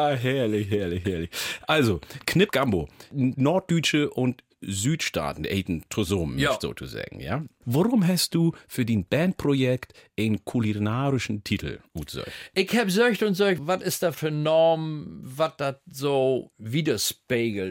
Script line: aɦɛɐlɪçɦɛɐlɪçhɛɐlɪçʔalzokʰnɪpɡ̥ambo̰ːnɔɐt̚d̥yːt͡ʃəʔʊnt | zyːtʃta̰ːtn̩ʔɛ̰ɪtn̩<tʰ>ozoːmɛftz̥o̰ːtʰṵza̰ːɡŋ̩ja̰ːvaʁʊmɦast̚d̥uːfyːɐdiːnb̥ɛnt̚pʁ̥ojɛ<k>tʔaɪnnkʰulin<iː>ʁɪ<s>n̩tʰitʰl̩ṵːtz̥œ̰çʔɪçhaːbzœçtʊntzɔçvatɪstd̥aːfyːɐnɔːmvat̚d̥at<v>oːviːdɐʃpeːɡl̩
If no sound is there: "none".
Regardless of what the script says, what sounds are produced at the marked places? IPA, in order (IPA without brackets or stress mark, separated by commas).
tʰ, k, aː, ʃ, z